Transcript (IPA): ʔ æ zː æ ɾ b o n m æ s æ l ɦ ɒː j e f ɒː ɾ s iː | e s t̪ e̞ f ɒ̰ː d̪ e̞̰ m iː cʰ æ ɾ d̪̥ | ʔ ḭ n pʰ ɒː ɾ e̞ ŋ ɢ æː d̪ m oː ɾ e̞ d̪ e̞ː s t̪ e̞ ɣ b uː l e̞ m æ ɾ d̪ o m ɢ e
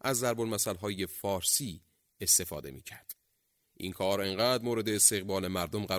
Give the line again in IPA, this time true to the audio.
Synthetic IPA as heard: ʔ æ zː æ ɾ b o n m æ s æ l ɦ ɒː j e f ɒː ɾ s iː | e s t̪ e̞ f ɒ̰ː d̪ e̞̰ m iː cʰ æ ɾ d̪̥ | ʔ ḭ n kʰ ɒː ɾ e̞ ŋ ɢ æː d̪ m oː ɾ e̞ d̪ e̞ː s t̪ e̞ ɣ b ɒː l e̞ m æ ɾ d̪ o m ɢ æ